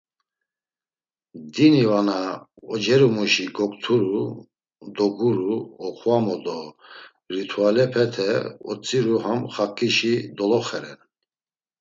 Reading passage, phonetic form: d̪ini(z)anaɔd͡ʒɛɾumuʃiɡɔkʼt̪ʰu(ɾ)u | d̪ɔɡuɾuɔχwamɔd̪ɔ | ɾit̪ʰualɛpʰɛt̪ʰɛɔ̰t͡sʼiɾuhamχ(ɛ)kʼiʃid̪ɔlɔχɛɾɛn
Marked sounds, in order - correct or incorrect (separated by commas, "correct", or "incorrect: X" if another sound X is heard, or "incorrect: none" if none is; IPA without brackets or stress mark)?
incorrect: v, correct, incorrect: a